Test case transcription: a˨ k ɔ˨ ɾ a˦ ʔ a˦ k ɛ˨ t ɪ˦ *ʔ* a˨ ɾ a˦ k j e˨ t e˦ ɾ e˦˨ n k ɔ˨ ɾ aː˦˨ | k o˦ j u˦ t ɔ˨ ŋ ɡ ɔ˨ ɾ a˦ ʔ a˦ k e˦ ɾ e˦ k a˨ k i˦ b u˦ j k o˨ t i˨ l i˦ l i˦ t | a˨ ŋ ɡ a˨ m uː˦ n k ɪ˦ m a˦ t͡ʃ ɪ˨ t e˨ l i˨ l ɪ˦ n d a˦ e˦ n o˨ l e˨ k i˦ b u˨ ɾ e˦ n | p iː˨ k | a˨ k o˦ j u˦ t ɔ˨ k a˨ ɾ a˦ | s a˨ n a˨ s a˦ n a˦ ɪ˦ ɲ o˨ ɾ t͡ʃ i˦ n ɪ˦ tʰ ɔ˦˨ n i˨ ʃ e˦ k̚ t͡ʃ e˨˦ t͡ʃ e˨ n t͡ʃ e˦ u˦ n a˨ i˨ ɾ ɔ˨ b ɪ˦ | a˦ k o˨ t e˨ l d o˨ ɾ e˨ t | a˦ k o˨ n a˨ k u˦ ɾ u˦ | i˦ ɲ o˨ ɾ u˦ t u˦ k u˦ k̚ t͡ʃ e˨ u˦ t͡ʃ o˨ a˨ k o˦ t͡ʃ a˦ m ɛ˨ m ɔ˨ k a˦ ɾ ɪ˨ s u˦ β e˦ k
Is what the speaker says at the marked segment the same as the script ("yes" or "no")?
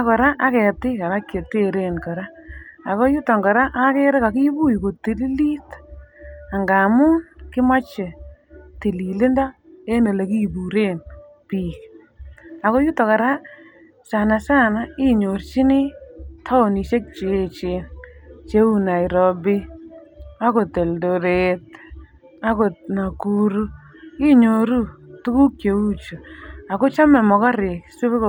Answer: no